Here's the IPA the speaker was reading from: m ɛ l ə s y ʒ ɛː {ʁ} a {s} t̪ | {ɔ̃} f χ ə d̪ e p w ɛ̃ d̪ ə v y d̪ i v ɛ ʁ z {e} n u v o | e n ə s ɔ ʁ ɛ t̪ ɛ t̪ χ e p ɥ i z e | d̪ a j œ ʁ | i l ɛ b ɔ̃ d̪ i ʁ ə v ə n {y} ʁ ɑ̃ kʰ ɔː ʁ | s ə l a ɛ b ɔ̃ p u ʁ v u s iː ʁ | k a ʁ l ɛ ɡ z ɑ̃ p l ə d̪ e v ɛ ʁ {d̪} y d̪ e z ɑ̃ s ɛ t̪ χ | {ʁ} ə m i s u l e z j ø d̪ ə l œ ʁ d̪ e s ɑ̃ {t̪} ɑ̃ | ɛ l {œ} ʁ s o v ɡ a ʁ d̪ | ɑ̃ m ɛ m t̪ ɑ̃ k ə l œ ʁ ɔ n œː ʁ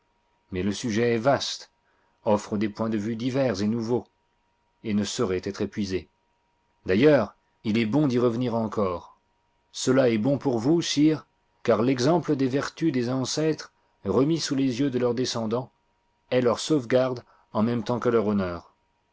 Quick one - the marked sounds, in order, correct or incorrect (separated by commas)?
incorrect, correct, incorrect, correct, incorrect, incorrect, correct, incorrect, correct